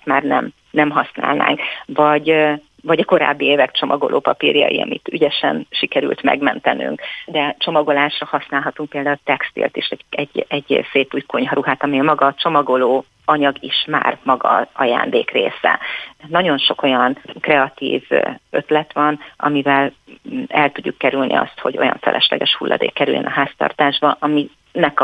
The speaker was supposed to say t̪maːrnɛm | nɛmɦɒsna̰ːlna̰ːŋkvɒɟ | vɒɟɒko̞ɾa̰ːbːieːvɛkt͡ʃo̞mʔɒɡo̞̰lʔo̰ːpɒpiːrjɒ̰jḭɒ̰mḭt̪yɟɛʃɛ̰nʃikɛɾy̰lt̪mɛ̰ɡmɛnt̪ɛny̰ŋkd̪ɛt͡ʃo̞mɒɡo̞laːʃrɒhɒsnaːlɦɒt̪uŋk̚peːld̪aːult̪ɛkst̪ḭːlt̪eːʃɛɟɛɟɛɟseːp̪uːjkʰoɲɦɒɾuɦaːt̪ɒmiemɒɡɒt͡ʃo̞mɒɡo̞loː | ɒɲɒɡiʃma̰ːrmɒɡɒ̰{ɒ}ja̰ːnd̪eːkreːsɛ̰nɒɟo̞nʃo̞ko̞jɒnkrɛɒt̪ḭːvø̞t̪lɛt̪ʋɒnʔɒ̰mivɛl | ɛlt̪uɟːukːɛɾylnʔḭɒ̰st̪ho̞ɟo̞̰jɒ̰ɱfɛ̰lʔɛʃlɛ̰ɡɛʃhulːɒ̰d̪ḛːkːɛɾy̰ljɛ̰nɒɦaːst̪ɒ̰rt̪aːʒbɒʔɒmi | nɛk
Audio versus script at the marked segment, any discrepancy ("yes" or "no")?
no